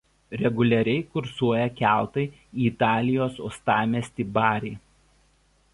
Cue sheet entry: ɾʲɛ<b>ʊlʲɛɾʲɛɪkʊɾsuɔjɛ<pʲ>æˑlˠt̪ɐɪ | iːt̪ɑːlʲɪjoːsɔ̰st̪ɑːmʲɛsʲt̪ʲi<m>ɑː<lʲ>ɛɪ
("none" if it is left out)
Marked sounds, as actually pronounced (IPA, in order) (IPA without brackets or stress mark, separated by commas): ɡ, kʲ, b, ɾʲ